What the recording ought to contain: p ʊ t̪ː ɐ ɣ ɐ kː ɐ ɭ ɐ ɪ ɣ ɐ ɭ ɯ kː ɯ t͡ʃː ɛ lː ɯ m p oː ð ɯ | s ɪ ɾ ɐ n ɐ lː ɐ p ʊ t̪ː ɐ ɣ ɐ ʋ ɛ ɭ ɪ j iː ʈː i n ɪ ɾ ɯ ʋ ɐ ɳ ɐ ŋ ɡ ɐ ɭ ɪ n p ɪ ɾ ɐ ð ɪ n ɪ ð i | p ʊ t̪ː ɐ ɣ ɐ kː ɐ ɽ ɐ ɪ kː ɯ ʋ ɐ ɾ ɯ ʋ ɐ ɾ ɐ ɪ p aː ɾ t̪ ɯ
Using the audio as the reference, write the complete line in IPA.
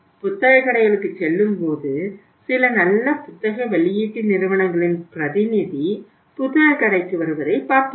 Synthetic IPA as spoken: p ʊ t̪ː ɐ ɣ ɐ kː ɐ ɽ ɐ ɪ ɣ ɐ ɭ ɯ kː ɯ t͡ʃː ɛ lː ɯ m p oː ð ɯ | s ɪ l ɐ n ɐ lː ɐ p ʊ t̪ː ɐ ɣ ɐ ʋ ɛ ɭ ɪ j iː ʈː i n ɪ ɾ ɯ ʋ ɐ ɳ ɐ ŋ ɡ ɐ ɭ ɪ n p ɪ ɾ ɐ ð ɪ n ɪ ð i | p ʊ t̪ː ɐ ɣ ɐ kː ɐ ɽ ɐ ɪ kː ɯ ʋ ɐ ɾ ɯ ʋ ɐ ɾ ɐ ɪ p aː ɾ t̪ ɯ